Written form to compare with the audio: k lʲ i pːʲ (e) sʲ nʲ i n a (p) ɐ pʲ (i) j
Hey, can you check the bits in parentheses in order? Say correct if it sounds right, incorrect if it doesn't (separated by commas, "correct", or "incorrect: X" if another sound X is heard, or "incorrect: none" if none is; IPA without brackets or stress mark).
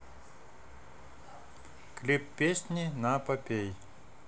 correct, correct, incorrect: e